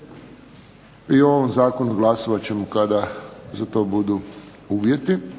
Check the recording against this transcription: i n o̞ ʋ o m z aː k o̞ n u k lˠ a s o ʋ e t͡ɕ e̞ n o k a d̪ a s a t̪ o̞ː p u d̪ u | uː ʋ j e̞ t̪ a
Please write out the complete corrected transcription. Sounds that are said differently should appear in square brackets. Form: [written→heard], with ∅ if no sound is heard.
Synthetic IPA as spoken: i [n→∅] o̞ ʋ o m z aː k o̞ n u [k→ɡ] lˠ a s o ʋ [e→a] t͡ɕ e̞ [n→m] o k a d̪ a [s→z] a t̪ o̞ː [p→b] u d̪ u | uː ʋ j e̞ t̪ [a→i]